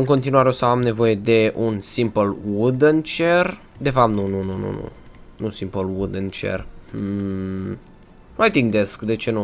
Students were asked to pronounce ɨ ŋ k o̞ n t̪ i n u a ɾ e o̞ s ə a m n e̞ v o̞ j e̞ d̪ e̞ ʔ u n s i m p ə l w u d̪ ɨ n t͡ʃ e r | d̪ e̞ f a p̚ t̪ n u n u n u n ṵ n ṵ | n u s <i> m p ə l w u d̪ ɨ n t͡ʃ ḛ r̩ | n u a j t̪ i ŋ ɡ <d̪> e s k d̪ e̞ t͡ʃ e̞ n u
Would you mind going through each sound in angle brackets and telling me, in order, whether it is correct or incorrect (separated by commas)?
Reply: correct, correct